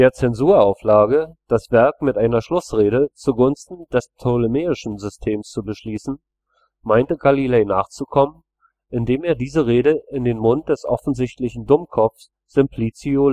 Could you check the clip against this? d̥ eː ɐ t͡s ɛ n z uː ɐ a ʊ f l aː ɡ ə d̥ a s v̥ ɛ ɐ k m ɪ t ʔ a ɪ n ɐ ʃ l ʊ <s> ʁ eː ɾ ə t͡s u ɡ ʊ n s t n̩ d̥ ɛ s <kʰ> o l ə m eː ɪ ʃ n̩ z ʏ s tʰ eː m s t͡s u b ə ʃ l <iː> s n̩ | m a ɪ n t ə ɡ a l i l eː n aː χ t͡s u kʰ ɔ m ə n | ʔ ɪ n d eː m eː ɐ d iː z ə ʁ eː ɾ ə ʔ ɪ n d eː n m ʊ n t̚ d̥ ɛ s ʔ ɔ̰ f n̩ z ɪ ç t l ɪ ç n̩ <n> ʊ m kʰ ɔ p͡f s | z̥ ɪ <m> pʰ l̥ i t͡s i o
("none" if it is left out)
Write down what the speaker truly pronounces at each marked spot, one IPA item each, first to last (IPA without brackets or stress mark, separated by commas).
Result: s, tʰ, iː, d, m